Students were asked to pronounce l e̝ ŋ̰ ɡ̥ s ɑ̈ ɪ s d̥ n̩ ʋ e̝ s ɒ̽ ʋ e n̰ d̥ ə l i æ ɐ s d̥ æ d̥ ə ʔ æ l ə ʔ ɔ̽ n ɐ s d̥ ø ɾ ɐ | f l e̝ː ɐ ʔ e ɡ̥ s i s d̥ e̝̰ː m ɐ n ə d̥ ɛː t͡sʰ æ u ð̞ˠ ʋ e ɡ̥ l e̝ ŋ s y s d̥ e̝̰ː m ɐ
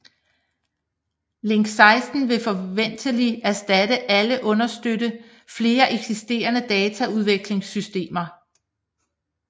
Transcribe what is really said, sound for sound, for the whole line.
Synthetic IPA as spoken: l e̝ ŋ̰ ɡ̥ s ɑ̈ ɪ s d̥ n̩ ʋ e̝ f ɒ̽ ʋ e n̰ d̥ ə l i æ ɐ s d̥ æ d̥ ə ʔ æ l ə ʔ ɔ̽ n ɐ s d̥ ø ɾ ə | f l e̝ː ɐ ʔ e ɡ̥ s i s d̥ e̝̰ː ɐ n ə d̥ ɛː t͡sʰ æ u ð̞ˠ ʋ e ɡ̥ l e̝ ŋ s y s d̥ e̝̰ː m ɐ